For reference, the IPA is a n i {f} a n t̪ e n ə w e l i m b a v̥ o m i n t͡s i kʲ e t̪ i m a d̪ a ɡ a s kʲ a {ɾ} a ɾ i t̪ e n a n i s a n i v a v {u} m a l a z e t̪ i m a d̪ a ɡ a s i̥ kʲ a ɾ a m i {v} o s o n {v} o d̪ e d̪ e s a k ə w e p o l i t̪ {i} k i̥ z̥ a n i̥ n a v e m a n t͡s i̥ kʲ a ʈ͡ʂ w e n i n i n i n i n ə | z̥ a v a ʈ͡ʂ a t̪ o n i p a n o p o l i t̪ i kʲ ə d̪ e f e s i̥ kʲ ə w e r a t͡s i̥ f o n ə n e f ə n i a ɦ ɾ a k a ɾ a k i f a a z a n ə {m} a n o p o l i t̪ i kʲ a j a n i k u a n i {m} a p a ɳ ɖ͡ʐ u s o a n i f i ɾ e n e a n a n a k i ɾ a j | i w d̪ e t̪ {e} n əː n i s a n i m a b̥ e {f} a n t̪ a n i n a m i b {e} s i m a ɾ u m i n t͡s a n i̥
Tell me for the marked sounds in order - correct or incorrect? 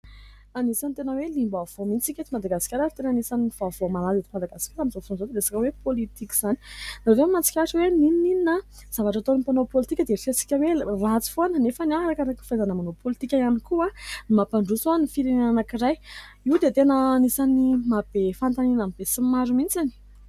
incorrect, correct, incorrect, incorrect, incorrect, correct, correct, correct, correct, correct, correct

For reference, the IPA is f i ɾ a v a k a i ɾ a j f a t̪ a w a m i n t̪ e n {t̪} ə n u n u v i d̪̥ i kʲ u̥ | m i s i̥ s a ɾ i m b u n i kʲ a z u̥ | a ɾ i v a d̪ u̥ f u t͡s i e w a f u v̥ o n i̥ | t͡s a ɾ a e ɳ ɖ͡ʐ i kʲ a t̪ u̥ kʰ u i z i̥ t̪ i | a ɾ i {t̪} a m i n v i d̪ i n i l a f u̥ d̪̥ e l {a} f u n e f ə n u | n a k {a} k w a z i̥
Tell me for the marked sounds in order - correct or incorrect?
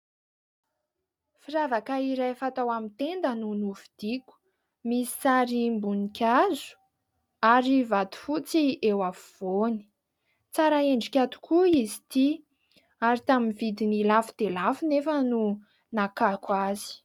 incorrect, correct, correct, correct

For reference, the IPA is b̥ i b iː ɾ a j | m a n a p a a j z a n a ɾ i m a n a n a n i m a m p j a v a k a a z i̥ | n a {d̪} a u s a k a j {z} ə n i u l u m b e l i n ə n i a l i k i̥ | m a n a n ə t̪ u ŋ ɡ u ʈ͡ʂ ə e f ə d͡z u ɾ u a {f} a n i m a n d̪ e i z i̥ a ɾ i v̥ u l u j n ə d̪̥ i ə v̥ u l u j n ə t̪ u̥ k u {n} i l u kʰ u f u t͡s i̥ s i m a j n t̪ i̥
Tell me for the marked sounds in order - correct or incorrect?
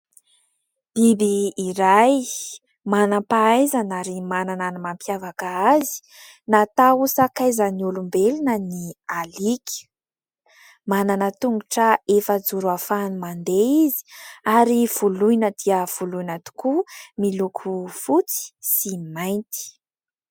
incorrect, correct, correct, incorrect

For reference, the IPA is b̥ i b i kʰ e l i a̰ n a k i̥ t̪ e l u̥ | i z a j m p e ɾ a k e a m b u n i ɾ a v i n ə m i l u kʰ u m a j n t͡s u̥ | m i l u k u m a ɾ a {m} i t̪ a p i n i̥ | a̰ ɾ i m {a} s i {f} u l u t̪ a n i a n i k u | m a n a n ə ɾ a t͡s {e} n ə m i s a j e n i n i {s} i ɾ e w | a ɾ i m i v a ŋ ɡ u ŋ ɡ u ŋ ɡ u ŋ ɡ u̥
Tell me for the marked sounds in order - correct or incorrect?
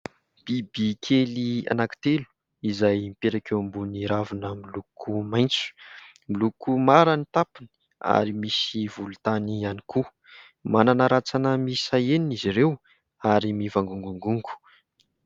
incorrect, incorrect, incorrect, incorrect, incorrect

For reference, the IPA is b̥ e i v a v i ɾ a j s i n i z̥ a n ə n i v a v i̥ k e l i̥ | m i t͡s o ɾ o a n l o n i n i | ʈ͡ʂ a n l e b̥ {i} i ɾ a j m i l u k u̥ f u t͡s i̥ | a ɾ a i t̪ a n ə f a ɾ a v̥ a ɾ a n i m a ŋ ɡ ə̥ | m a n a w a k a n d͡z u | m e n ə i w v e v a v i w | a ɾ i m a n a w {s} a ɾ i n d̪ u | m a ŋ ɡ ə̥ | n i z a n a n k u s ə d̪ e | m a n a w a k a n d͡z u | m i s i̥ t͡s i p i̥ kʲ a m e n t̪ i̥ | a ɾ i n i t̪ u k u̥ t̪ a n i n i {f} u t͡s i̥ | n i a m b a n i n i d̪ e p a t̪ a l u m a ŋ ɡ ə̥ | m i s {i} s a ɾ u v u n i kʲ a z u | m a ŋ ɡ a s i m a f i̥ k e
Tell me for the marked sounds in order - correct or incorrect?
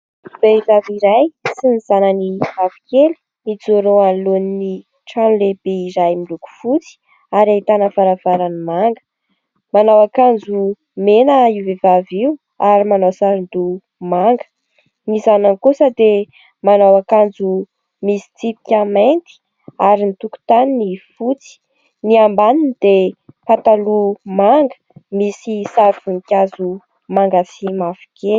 incorrect, correct, correct, correct

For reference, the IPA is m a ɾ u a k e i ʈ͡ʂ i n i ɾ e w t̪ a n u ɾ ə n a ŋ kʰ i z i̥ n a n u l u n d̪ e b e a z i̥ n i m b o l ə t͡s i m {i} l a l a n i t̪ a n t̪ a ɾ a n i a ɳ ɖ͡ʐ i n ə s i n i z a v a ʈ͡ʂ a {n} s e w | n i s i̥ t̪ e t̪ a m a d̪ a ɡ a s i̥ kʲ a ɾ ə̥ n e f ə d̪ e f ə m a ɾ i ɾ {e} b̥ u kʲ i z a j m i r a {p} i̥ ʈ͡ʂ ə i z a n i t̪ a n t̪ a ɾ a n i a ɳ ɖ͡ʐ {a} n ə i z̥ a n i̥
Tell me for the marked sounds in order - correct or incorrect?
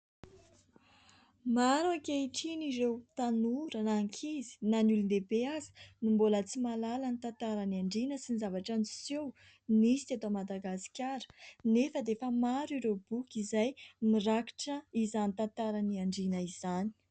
incorrect, correct, correct, incorrect, incorrect

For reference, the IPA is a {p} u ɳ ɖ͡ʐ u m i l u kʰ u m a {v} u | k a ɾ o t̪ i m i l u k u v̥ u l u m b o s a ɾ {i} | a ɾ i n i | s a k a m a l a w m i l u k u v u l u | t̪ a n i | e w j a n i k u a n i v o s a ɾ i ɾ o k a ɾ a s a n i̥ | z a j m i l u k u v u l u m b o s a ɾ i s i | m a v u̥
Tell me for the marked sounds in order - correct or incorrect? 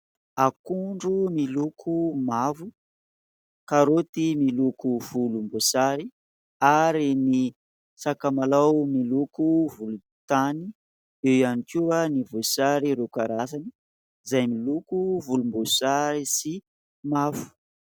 incorrect, correct, correct

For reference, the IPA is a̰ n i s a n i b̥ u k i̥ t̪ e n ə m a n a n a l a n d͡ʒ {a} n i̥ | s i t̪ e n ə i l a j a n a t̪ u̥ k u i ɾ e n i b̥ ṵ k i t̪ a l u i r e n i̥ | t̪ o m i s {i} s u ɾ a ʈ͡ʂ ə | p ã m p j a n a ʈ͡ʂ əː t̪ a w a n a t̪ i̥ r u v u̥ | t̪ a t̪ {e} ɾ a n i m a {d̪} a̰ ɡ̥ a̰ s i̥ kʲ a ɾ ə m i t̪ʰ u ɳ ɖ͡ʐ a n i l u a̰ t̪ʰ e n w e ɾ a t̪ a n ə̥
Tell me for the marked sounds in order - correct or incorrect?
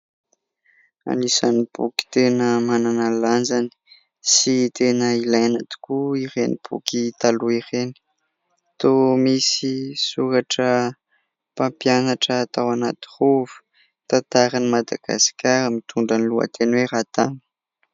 correct, correct, incorrect, correct

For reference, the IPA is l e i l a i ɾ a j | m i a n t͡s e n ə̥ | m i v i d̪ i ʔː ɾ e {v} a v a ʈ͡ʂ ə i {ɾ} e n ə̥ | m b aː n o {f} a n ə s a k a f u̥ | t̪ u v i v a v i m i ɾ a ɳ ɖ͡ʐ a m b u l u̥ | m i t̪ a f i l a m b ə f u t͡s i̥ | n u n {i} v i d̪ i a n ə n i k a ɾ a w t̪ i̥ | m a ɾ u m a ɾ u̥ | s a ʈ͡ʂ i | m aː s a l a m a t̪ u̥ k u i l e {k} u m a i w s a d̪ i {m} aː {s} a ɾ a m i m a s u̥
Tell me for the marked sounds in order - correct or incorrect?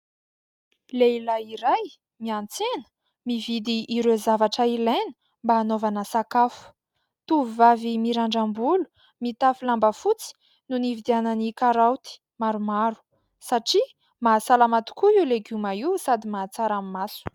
incorrect, incorrect, incorrect, correct, incorrect, correct, incorrect

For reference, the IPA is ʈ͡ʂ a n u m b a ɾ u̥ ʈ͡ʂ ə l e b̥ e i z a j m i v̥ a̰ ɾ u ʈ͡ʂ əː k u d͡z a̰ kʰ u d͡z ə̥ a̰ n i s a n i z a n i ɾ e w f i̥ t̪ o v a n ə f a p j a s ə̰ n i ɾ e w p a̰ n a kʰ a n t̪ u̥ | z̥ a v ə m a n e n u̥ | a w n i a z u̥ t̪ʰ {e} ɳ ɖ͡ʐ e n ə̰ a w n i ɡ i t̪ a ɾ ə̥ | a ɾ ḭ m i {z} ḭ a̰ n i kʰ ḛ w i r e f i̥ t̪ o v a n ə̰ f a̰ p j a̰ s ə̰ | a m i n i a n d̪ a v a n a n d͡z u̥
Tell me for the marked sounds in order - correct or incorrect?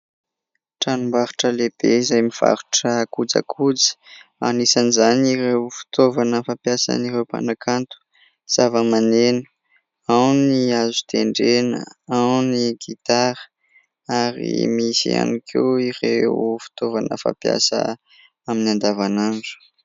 correct, incorrect

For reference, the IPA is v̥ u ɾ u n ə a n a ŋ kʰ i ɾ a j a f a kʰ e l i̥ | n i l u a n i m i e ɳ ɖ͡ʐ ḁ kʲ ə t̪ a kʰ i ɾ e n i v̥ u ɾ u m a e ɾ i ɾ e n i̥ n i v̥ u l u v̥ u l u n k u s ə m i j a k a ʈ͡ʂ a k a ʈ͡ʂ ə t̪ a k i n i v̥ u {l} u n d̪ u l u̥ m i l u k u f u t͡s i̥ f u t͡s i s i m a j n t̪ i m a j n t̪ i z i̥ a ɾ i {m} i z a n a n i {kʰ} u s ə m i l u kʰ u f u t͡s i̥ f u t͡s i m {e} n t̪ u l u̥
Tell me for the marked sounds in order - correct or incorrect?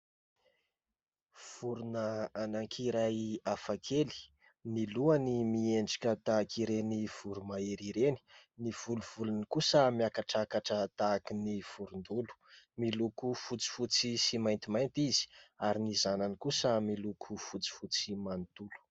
incorrect, incorrect, incorrect, incorrect

